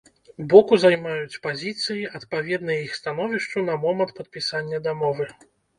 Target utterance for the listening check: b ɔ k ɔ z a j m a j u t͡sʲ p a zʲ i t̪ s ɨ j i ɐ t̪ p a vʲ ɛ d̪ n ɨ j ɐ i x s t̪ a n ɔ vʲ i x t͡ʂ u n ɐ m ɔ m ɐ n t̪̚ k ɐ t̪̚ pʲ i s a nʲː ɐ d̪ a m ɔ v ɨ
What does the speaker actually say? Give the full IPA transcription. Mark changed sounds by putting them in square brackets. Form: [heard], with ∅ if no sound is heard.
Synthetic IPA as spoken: b ɔ k [u] z a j m a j u t͡sʲ p a zʲ i t̪ s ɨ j i ɐ t̪ p a vʲ ɛ d̪ n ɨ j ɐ i x s t̪ a n ɔ vʲ i [ʂ] t͡ʂ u n ɐ m ɔ m ɐ n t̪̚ [p] ɐ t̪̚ pʲ i s a nʲː ɐ d̪ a m ɔ v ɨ